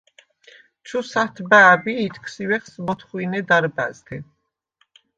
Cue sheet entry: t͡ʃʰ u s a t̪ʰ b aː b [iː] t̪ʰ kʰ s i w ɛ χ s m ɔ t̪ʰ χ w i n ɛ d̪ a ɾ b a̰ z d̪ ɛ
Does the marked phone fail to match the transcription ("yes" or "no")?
no